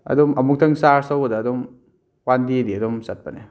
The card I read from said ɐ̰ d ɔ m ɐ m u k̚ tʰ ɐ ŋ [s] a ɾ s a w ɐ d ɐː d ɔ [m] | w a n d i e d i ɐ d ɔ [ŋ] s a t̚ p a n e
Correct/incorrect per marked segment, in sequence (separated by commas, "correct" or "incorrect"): correct, correct, incorrect